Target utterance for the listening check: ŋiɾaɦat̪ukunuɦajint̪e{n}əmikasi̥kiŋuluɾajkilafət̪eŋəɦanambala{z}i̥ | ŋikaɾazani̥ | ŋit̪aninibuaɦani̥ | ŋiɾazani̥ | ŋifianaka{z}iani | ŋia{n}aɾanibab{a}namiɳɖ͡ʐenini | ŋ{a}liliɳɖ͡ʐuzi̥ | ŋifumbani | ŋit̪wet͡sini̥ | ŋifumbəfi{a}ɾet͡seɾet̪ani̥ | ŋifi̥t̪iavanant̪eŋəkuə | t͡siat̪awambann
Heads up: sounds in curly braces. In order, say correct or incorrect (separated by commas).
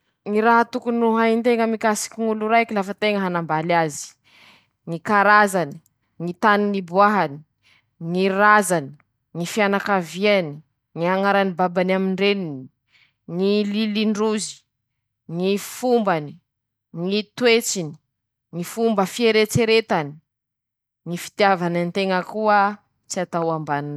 incorrect, correct, incorrect, incorrect, correct, incorrect, incorrect